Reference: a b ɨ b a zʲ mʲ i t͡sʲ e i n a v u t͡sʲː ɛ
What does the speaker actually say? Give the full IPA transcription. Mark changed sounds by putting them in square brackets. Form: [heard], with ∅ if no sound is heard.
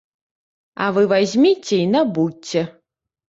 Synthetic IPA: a [v] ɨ [v] a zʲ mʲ i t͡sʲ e i n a [b] u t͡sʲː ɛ